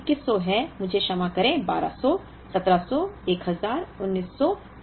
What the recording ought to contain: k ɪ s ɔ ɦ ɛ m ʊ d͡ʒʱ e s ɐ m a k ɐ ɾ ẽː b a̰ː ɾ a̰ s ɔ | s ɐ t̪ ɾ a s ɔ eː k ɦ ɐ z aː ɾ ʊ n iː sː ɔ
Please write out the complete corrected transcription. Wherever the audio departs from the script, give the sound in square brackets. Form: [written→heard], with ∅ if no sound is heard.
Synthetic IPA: k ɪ s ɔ ɦ ɛ m ʊ d͡ʒʱ e [s→ʃ] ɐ m a k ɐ ɾ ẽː b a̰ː ɾ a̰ s ɔ | s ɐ t̪ ɾ a s ɔ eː k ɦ ɐ z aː ɾ ʊ [n→nː] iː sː ɔ